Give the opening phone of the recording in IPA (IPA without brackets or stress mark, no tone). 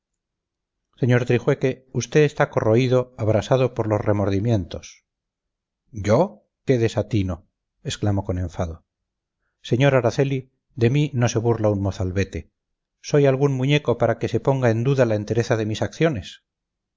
s